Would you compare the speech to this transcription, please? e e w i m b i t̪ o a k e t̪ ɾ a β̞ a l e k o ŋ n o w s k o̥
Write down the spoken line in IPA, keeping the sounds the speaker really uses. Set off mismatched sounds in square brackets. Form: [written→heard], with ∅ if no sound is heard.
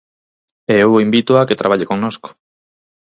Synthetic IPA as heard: e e w i m b i t̪ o a k e t̪ ɾ a β̞ a [l→ʎ] e k o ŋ n o [w→∅] s k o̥